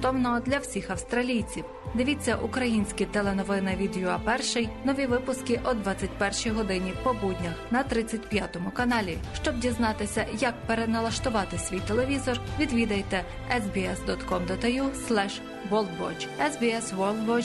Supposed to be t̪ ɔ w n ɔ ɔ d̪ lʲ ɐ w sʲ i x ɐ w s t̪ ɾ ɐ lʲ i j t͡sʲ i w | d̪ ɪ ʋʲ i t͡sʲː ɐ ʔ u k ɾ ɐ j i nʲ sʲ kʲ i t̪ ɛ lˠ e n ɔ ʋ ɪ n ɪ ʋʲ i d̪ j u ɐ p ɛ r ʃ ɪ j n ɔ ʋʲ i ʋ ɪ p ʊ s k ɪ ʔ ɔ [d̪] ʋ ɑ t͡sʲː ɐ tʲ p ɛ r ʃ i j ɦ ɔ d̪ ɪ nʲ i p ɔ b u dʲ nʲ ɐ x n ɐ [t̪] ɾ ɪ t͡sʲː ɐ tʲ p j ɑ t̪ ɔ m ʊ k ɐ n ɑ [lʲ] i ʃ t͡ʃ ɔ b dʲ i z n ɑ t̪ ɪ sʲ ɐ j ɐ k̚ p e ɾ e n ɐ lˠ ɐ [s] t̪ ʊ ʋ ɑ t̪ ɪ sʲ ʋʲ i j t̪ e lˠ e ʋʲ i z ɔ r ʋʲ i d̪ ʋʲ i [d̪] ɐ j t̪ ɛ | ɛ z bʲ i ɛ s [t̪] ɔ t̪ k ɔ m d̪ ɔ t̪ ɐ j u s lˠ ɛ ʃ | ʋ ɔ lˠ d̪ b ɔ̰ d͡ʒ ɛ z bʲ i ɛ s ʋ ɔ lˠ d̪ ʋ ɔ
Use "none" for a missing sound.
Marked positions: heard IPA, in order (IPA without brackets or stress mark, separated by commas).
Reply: d̪, t̪, lʲ, ʃ, d̪, d̪